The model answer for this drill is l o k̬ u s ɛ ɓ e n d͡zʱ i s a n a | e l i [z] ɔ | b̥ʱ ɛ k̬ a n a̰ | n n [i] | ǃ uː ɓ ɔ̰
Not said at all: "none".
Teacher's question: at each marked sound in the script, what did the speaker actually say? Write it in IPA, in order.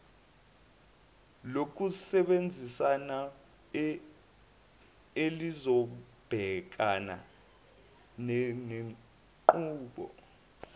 z, e

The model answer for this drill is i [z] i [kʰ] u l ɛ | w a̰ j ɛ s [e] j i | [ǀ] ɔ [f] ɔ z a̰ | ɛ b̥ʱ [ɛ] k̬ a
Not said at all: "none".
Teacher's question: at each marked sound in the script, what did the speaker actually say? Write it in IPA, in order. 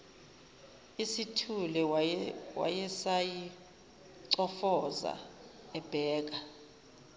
s, tʰ, a, ǀ, f, ɛː

